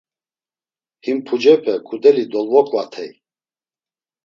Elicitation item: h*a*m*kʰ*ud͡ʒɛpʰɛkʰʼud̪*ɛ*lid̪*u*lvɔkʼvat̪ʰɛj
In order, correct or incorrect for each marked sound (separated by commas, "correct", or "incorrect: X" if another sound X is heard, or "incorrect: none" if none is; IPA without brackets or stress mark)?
incorrect: i, incorrect: pʰ, correct, incorrect: ɔ